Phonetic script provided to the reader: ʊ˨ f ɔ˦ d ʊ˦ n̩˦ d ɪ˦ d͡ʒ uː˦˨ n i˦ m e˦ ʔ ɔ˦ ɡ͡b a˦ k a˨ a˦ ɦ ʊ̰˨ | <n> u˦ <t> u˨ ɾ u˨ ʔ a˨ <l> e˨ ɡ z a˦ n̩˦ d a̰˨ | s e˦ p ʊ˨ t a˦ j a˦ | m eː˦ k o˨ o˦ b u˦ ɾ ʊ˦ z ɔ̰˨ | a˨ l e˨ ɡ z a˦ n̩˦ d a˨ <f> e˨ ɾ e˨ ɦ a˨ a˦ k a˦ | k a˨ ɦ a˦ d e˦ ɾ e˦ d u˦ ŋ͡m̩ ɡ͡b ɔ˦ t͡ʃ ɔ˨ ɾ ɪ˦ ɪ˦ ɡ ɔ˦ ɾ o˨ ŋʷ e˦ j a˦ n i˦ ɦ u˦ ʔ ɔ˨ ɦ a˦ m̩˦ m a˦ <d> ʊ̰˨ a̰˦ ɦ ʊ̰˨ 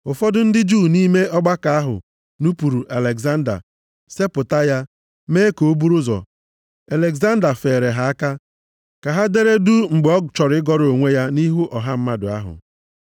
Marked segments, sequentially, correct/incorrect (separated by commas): correct, incorrect, correct, correct, correct